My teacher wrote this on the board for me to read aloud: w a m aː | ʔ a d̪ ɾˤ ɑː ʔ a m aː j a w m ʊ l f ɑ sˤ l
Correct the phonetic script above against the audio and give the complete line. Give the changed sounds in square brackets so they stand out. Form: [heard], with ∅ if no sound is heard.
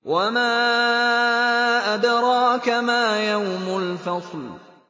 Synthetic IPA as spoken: w a m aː | ʔ a d̪ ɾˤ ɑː [k] a m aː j a w m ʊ l f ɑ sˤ l